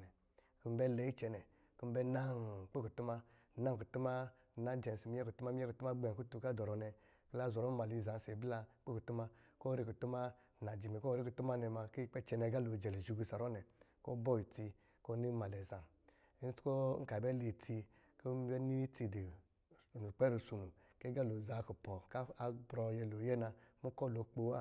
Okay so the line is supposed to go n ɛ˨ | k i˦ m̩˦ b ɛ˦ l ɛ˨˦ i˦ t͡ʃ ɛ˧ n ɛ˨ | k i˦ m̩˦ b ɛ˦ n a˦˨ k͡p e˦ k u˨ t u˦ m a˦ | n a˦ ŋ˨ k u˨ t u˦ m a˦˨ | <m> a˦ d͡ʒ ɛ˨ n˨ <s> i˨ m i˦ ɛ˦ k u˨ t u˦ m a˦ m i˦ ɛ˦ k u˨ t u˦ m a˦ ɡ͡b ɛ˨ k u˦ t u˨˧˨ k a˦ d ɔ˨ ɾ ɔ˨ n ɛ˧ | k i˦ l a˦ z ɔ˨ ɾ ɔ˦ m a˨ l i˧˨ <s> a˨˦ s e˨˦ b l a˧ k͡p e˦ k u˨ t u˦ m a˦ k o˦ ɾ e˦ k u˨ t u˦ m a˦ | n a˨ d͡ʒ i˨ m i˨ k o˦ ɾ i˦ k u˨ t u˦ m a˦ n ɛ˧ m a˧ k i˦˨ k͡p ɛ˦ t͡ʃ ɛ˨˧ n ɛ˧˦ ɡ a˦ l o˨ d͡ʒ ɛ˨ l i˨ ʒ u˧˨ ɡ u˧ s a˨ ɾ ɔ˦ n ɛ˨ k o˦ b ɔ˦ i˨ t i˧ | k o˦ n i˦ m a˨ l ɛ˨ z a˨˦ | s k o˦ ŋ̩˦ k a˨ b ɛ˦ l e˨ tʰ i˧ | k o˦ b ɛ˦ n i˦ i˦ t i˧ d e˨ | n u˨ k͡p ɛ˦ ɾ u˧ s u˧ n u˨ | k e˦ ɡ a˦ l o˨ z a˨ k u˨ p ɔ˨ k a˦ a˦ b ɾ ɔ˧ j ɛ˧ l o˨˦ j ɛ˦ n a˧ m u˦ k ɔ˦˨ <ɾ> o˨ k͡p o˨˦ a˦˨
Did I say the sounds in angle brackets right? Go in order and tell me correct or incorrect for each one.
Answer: incorrect: n, correct, incorrect: z, incorrect: l

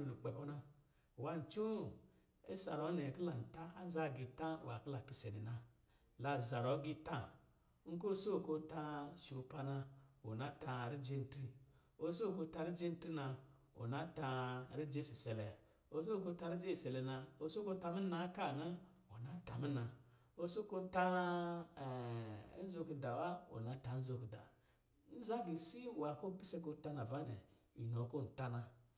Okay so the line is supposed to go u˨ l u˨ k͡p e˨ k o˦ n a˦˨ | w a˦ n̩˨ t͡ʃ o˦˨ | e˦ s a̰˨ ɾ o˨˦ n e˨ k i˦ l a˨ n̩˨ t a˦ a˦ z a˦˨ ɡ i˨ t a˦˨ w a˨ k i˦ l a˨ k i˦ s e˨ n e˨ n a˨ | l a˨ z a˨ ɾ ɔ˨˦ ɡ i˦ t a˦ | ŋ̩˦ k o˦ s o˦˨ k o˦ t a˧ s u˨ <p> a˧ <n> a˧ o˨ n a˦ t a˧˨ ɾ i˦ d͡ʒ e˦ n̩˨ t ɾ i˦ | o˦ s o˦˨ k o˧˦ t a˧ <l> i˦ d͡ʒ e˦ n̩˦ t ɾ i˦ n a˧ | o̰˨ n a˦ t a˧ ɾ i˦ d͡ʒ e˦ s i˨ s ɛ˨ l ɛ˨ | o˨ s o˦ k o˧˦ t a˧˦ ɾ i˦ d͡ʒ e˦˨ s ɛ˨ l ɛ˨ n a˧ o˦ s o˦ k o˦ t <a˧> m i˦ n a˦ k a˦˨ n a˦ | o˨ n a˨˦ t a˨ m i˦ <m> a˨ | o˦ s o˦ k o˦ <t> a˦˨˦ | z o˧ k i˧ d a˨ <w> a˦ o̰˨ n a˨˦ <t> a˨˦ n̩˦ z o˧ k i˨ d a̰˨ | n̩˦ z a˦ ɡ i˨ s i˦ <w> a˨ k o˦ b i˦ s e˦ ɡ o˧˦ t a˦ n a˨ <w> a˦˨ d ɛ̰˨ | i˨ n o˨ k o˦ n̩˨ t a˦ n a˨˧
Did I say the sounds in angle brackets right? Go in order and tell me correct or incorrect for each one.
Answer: correct, correct, incorrect: ɾ, correct, incorrect: n, correct, correct, correct, correct, incorrect: v

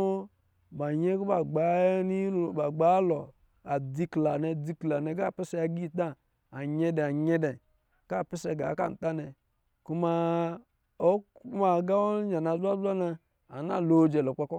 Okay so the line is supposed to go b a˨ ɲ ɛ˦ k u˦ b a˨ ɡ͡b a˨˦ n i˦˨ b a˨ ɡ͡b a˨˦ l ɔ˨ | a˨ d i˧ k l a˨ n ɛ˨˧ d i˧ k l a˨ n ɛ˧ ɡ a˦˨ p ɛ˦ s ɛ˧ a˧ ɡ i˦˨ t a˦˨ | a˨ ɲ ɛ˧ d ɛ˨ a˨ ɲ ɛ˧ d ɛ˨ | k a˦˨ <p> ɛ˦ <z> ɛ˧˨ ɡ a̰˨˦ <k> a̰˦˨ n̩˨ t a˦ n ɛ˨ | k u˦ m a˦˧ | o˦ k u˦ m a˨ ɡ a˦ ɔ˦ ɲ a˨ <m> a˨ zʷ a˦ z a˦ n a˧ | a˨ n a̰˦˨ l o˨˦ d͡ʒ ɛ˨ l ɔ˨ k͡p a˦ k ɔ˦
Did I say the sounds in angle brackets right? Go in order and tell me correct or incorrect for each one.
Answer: correct, incorrect: s, correct, incorrect: n

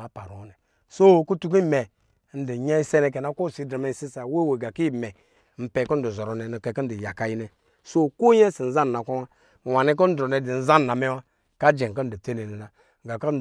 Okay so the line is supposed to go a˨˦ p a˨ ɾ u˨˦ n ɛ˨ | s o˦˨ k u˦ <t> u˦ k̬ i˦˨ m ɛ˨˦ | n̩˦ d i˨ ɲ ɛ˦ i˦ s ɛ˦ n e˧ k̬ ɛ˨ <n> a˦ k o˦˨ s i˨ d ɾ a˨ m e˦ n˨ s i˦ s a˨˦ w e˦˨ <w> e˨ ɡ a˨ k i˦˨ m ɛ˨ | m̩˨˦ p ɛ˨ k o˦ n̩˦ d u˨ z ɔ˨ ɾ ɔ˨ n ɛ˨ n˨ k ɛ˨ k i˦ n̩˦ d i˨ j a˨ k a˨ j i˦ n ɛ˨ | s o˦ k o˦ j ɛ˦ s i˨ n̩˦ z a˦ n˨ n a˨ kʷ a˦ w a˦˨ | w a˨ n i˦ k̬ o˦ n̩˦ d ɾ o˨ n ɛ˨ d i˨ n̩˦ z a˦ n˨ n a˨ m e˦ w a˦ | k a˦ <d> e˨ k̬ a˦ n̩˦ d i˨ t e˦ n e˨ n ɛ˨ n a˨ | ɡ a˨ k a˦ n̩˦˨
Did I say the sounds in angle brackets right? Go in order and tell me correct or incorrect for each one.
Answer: correct, correct, correct, incorrect: d͡ʒ

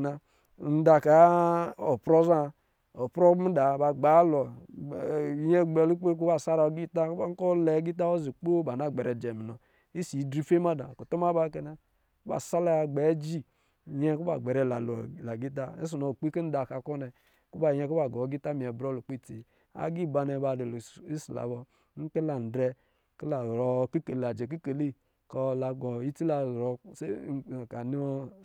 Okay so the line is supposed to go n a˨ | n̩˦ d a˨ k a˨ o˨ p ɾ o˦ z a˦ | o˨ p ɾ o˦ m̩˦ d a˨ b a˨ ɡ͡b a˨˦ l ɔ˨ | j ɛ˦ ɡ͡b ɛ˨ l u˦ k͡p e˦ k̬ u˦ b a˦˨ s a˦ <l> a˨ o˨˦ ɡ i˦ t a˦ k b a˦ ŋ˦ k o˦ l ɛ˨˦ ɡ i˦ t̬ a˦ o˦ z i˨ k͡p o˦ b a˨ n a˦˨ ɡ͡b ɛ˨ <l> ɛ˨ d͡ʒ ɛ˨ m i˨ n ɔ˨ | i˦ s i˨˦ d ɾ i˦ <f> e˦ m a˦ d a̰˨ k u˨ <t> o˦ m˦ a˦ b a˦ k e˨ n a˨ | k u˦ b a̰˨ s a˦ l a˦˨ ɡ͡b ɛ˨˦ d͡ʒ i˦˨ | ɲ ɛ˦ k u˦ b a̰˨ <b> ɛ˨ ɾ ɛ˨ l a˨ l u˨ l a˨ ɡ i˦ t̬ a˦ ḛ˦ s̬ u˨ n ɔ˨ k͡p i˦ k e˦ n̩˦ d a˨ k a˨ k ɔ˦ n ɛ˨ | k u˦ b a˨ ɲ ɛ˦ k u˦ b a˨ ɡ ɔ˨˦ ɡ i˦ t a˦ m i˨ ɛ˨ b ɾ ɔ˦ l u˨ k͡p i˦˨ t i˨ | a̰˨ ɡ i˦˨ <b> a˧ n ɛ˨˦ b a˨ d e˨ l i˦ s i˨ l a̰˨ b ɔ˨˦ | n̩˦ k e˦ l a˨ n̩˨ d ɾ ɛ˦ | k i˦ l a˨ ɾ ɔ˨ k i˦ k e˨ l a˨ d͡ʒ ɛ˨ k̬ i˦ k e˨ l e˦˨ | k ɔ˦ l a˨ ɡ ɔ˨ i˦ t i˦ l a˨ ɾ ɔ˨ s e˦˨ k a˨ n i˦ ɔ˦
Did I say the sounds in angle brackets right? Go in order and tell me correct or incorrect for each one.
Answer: incorrect: ɾ, incorrect: ɾ, correct, correct, incorrect: ɡ͡b, correct

